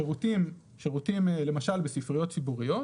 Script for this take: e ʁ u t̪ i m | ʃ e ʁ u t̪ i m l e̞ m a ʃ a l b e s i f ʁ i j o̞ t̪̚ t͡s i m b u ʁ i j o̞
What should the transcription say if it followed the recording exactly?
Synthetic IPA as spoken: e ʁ u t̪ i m | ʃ e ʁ u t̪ i m l e̞ m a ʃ a l b e s i f ʁ i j o̞ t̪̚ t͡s i b u ʁ i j o̞